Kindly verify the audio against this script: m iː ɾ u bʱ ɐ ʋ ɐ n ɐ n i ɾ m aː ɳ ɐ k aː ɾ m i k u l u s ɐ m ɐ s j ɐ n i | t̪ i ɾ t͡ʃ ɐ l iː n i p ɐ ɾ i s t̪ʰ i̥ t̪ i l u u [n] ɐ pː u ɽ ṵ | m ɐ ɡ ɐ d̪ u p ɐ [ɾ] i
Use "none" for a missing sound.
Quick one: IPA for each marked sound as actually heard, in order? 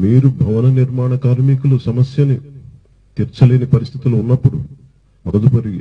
nː, ɾ

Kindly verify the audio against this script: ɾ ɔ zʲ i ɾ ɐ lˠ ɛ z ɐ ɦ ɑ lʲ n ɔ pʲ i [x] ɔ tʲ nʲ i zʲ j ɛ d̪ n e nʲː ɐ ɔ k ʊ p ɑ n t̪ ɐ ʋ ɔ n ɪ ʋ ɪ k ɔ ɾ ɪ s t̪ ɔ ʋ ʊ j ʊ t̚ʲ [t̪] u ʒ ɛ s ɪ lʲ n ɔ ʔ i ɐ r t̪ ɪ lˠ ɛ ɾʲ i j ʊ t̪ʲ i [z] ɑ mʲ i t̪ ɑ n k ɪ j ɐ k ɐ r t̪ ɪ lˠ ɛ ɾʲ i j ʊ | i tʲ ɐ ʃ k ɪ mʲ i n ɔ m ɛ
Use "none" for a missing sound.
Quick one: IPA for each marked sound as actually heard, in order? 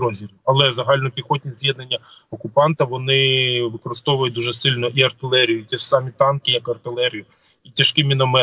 x, d̪, s

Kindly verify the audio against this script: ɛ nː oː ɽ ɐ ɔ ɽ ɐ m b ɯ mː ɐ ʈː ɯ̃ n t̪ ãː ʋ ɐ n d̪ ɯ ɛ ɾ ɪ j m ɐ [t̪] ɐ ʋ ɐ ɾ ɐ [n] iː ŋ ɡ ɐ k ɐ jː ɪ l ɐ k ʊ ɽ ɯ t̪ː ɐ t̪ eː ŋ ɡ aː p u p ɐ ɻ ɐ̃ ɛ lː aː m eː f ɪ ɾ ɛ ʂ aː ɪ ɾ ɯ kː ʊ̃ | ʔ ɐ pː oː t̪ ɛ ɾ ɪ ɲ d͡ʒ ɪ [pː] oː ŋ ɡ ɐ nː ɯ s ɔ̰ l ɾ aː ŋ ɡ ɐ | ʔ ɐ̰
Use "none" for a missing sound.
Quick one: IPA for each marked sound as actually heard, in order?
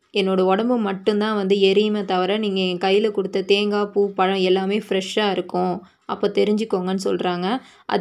t̪, n, kː

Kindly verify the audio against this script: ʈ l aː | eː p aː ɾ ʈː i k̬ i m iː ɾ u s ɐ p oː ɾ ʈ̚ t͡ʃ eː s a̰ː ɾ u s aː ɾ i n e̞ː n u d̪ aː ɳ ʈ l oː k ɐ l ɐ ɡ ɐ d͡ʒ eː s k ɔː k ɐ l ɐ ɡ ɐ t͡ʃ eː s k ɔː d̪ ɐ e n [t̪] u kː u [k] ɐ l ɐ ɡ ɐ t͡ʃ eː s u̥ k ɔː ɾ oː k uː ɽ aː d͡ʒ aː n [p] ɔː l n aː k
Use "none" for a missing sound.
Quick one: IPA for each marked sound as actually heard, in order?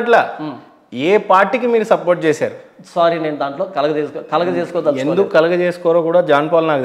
d̪, k, p

